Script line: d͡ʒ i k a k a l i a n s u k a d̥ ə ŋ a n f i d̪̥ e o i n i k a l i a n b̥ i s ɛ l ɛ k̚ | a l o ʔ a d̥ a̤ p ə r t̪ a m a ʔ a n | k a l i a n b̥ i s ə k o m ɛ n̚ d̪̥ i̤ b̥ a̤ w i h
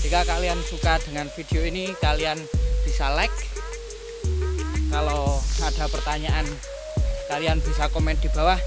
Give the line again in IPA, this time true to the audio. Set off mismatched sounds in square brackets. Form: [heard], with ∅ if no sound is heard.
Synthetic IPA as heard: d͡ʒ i k a k a l i a n s u k a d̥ ə ŋ a n f i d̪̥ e o i n i k a l i a n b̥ i s [a] l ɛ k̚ | a l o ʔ a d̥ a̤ p ə r t̪ a [ɲ] a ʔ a n | k a l i a n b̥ i s [a] k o m ɛ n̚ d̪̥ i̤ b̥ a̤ w [a] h